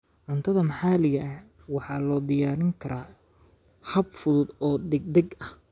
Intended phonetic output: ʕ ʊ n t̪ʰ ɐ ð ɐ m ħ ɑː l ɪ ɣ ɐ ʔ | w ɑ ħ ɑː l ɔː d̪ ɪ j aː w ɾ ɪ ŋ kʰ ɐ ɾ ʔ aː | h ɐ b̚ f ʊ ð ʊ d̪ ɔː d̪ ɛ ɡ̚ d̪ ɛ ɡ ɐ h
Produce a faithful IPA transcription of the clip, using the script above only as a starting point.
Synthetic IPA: ʕ ʊ n t̪ʰ ɐ ð ɐ m ħ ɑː l ɪ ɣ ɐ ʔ | w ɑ ħ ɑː l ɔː d̪ ɪ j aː ɾ ɪ ŋ kʰ ɐ ɾ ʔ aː | h ɐ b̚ f ʊ ð ʊ d̪ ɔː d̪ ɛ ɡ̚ d̪ ɛ ɡ ɐ h